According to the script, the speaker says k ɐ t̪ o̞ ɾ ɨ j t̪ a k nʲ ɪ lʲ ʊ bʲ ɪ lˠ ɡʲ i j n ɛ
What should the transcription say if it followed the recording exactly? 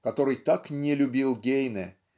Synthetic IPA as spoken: k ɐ t̪ o̞ ɾ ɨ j t̪ a k nʲ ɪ lʲ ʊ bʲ i lˠ ɡʲ e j n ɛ